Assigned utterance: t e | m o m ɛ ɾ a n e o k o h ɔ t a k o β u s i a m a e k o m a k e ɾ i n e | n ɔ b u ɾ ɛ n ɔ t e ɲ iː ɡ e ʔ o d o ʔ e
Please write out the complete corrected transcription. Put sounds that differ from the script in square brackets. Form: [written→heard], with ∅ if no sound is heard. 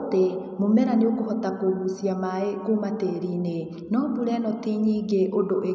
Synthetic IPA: t e | m o m ɛ ɾ a n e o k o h ɔ t a k o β u s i a m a e k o m a [k→t] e ɾ i n e | n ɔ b u ɾ ɛ n ɔ t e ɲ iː ɡ e ʔ o d o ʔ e